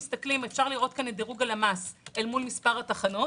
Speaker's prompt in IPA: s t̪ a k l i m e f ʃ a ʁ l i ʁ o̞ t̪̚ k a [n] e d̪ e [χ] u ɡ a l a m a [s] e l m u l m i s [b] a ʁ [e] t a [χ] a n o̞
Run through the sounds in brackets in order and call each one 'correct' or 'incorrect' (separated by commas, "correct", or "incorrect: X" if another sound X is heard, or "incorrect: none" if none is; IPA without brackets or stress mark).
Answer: correct, incorrect: ʁ, correct, incorrect: p, incorrect: a, correct